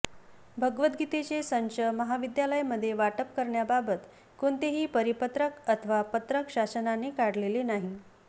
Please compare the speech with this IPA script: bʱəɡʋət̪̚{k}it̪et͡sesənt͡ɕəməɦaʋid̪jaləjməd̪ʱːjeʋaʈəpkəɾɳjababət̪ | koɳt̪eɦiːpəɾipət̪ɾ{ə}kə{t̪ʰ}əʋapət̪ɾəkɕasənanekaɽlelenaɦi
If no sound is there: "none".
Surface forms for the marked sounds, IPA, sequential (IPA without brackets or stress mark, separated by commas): ɡ, ə, t̪ʰ